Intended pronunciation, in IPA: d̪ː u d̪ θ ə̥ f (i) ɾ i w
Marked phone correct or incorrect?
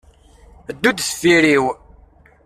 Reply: correct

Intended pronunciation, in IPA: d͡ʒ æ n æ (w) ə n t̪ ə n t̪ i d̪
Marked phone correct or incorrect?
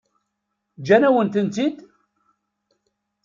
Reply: correct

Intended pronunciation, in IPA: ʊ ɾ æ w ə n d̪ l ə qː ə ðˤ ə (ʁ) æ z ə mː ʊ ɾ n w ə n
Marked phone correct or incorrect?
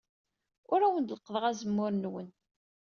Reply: correct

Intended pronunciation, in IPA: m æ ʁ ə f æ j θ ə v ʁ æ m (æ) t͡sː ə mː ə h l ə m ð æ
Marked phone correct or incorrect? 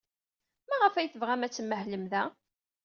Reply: correct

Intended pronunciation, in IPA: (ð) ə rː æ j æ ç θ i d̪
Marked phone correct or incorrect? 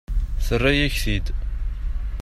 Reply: incorrect: θ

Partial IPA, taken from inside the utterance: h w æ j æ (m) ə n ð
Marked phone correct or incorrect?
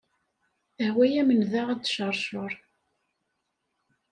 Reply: correct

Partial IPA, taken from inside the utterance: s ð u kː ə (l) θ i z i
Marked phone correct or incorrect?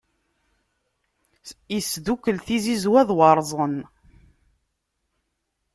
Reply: correct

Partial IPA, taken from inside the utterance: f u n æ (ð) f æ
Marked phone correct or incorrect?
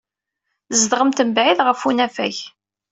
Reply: incorrect: none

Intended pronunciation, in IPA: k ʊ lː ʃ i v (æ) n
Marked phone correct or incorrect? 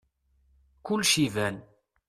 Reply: correct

